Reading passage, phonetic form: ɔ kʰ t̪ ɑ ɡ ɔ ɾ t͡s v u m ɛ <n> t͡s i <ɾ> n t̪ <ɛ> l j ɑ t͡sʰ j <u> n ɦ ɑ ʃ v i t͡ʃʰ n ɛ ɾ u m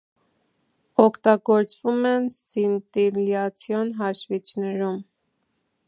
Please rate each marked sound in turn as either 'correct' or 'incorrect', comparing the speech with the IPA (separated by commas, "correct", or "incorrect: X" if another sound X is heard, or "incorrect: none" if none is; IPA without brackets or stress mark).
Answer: correct, incorrect: none, incorrect: i, incorrect: ɔ